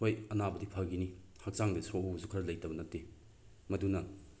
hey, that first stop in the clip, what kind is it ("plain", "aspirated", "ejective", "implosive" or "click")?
plain